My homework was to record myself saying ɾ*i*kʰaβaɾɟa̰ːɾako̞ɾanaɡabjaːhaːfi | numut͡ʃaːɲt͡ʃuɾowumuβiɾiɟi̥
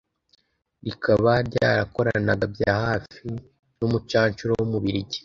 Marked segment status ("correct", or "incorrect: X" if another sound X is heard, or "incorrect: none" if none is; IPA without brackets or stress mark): correct